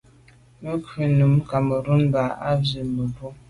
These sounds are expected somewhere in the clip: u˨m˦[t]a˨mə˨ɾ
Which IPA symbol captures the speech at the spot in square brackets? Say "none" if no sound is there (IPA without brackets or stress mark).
k